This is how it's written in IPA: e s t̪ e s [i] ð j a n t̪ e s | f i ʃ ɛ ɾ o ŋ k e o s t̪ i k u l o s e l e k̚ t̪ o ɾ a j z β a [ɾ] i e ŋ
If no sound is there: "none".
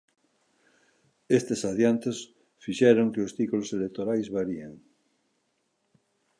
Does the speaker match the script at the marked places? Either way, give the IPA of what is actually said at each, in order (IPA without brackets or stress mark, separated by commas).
a, ɾ